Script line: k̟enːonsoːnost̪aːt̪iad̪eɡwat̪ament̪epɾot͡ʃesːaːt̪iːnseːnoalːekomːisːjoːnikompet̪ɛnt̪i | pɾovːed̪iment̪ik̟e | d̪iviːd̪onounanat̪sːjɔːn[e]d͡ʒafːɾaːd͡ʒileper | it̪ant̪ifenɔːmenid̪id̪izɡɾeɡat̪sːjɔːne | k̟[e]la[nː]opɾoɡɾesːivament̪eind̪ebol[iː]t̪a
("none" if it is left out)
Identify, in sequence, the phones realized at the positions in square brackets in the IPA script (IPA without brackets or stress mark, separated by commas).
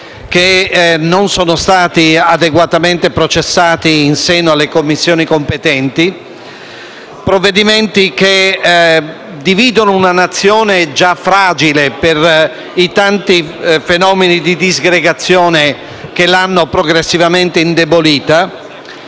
e, e, nː, iː